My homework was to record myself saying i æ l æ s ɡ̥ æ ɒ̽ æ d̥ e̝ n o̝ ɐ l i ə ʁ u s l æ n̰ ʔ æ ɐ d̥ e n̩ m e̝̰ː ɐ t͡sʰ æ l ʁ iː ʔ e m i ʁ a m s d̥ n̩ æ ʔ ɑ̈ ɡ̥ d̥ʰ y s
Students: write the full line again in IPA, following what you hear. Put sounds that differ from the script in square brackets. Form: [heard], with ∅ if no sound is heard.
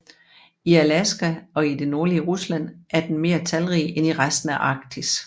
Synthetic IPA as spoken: i æ l æ s ɡ̥ æ ɒ̽ [i] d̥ e̝ n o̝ ɐ l i ə ʁ u s l æ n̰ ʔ æ ɐ d̥ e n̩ m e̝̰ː ɐ t͡sʰ æ l ʁ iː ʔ e [n] i ʁ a [∅] s d̥ n̩ æ ʔ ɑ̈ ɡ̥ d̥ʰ [i] s